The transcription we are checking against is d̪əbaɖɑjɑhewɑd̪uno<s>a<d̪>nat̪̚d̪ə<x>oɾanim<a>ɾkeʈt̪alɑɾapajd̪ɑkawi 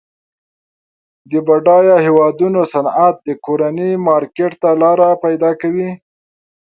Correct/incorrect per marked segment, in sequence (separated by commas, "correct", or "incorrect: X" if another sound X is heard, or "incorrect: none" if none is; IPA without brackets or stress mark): correct, incorrect: none, incorrect: k, incorrect: ɑ